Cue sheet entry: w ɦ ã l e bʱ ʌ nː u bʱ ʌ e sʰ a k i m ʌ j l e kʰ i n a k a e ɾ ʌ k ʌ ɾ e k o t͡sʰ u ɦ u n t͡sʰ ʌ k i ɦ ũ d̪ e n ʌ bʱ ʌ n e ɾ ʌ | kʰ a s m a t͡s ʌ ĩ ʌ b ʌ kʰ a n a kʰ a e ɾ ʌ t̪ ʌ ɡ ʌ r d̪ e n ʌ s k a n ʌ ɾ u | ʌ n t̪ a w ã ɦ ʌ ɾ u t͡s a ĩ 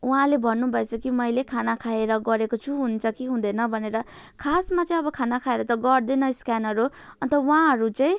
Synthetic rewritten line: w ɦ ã l e bʱ ʌ nː u bʱ ʌ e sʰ ʌ k i m ʌ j l e kʰ a n a kʰ a e ɾ ʌ ɡ ʌ ɾ e k o t͡sʰ u ɦ u n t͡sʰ ʌ k i ɦ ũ d̪ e n ʌ bʱ ʌ n e ɾ ʌ | kʰ a s m a t͡s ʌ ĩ ʌ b ʌ kʰ a n a kʰ a e ɾ ʌ t̪ ʌ ɡ ʌ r d̪ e n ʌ s k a n ʌ ɾ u | ʌ n t̪ ʌ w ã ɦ ʌ ɾ u t͡s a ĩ